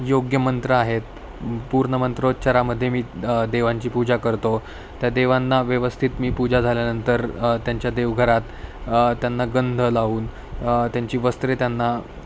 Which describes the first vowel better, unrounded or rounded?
rounded